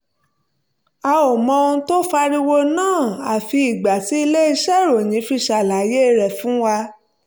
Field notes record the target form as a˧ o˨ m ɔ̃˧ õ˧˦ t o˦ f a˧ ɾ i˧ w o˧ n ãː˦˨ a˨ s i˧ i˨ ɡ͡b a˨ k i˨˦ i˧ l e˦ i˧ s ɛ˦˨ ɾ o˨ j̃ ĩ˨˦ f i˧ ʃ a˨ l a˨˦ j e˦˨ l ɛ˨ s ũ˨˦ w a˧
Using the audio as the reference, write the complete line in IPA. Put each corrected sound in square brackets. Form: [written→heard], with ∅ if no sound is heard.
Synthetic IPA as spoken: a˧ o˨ m ɔ̃˧ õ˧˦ t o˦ f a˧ ɾ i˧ w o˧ n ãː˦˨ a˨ [s→f] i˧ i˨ ɡ͡b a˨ [k→t] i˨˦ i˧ l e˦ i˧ [s→ʃ] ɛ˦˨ ɾ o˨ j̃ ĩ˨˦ f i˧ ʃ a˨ l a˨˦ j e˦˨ [l→ɾ] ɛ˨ [s→f] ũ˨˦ w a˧